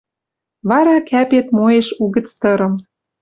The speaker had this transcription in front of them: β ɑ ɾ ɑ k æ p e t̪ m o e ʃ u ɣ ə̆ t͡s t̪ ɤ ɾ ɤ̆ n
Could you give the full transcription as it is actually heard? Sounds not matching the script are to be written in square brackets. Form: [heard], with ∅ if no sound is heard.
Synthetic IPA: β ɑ ɾ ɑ k æ p e t̪ m o e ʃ u ɣ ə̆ t͡s t̪ ɤ ɾ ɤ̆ [m]